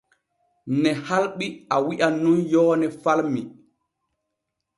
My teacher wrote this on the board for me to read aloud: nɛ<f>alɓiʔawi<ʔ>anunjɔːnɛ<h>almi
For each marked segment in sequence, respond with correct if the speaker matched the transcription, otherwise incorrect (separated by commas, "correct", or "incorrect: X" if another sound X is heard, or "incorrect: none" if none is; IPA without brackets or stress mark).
incorrect: h, correct, incorrect: f